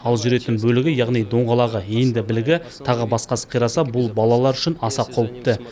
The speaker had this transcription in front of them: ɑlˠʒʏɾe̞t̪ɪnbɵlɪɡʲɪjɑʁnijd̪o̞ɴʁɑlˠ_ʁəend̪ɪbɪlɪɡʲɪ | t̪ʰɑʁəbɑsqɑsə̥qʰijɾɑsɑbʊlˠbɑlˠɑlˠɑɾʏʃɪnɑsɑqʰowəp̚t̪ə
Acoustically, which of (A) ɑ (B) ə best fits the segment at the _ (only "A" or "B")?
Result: A